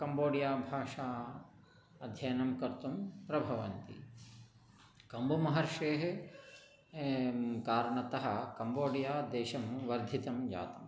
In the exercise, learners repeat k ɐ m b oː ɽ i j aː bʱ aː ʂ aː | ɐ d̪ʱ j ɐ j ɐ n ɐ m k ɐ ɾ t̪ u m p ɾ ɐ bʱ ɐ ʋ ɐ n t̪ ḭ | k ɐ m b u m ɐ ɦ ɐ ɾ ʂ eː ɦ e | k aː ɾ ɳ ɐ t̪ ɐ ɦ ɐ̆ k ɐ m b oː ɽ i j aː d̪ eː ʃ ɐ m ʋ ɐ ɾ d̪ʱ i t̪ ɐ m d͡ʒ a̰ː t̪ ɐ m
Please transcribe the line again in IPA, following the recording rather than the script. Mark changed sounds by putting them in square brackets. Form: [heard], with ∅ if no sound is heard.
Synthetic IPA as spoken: k ɐ m b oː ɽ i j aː bʱ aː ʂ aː | ɐ d̪ʱ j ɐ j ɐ n ɐ m k ɐ ɾ t̪ u m p ɾ ɐ bʱ ɐ ʋ ɐ n t̪ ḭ | k ɐ m b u m ɐ ɦ ɐ ɾ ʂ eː ɦ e | k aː ɾ ɳ ɐ t̪ ɐ ɦ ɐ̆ k ɐ m b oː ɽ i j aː d̪ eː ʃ ɐ m ʋ ɐ ɾ d̪ʱ i t̪ ɐ m d͡ʒ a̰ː t̪ ɐ m